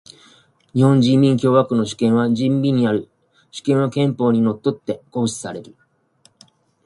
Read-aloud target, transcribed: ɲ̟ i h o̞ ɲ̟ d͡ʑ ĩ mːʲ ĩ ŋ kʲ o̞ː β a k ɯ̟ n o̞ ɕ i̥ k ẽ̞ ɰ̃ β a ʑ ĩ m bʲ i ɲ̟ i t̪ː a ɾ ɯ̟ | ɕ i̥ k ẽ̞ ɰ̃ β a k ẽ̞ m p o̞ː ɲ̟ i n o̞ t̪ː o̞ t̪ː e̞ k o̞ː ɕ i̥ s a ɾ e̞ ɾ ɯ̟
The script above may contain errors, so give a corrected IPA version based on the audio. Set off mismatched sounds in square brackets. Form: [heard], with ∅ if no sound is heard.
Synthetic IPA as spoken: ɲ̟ i h [õ̞] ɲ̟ d͡ʑ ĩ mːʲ ĩ ŋ kʲ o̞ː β a k ɯ̟ n o̞ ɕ i̥ k ẽ̞ ɰ̃ β a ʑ ĩ m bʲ i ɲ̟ i [∅] a ɾ ɯ̟ | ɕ i̥ k ẽ̞ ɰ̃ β a k ẽ̞ m p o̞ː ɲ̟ i n o̞ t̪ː o̞ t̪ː e̞ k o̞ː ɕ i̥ s a ɾ e̞ ɾ ɯ̟